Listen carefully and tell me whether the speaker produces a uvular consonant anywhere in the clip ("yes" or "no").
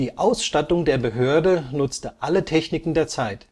no